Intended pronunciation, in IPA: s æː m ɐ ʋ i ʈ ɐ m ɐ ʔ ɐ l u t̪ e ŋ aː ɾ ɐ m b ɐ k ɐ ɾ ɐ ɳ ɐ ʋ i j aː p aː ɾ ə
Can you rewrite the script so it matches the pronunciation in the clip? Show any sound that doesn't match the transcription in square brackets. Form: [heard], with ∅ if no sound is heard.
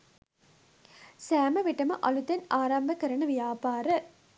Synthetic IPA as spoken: s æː m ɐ ʋ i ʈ ɐ m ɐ ʔ ɐ l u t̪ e [n] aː ɾ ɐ m b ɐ k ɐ ɾ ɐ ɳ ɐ ʋ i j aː p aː ɾ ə

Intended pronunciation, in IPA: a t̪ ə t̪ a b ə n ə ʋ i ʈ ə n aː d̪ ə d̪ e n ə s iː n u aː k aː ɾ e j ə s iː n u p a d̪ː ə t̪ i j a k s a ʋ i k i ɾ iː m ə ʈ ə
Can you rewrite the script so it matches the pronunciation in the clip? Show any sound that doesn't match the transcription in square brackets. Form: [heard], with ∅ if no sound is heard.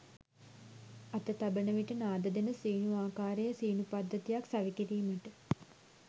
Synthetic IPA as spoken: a t̪ ə t̪ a b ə n ə ʋ i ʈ ə n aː d̪ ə d̪ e n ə s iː n u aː k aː ɾ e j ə s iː n u p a d̪ː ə t̪ i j a k s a ʋ i k i ɾ iː m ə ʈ ə

